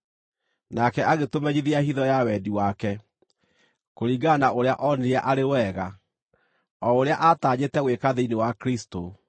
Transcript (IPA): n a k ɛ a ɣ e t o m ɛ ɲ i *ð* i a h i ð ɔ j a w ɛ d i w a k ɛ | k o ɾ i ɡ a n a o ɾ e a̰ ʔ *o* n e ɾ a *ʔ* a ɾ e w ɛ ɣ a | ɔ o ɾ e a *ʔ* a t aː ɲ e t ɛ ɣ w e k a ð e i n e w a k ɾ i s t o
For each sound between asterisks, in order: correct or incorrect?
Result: correct, incorrect, correct, correct

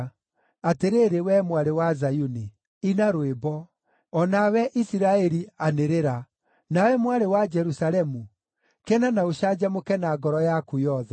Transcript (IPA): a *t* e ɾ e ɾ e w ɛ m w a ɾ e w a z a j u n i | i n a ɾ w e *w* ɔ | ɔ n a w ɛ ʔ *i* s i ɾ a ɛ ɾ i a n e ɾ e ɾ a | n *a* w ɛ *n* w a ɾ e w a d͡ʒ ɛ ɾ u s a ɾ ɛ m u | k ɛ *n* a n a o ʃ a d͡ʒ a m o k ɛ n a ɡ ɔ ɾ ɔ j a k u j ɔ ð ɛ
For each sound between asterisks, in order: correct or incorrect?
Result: correct, incorrect, correct, correct, incorrect, correct

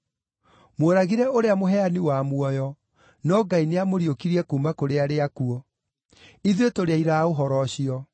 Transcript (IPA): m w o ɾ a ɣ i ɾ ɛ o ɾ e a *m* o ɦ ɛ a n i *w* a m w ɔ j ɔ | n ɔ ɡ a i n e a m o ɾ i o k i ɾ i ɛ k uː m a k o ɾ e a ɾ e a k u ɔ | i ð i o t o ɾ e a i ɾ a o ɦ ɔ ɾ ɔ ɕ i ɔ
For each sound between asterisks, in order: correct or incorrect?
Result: correct, correct

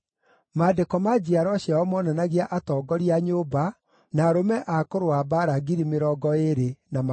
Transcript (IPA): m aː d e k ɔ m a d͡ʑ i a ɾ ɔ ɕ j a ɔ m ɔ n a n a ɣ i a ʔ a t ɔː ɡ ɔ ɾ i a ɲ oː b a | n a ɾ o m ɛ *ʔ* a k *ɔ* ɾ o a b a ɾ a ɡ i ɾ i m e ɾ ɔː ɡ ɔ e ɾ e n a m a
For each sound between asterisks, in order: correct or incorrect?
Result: correct, incorrect

